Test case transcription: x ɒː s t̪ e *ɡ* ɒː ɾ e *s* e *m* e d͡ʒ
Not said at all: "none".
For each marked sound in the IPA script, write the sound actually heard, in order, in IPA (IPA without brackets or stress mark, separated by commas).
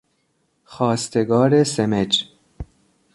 ɡ, s, m